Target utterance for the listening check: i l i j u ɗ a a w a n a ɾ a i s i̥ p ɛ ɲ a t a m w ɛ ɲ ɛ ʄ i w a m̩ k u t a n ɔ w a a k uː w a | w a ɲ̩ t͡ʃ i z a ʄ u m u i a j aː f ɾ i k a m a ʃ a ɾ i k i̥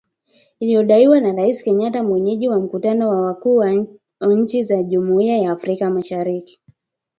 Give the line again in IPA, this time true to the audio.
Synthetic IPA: i l i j ɔ ɗ a i w a n a ɾ a i s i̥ k ɛ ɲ a t a m w ɛ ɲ ɛ ʄ i w a m̩ k u t a n ɔ w a a k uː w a | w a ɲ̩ t͡ʃ i z a ʄ u m u i a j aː f ɾ i k a m a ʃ a ɾ i k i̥